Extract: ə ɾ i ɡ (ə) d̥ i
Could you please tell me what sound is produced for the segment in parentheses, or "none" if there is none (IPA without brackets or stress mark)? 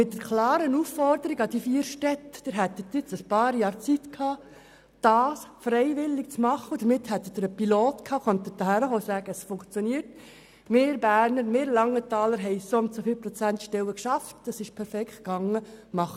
ɑ